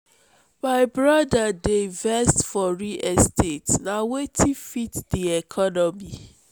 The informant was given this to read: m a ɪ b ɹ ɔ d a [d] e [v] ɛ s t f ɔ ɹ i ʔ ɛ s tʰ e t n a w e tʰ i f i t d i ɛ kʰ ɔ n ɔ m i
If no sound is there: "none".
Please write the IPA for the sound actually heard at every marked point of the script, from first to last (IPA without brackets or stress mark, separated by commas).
d, v